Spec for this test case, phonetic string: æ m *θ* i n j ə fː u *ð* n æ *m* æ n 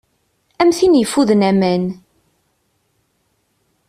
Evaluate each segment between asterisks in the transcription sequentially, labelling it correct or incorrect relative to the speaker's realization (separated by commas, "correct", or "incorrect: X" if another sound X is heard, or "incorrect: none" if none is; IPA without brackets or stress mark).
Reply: correct, correct, correct